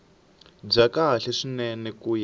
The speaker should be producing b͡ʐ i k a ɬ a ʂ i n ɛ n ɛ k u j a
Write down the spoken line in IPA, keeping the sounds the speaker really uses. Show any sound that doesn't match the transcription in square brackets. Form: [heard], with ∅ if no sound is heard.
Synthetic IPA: b͡ʐ [a] k a ɬ [ɛ] ʂ i n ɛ n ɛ k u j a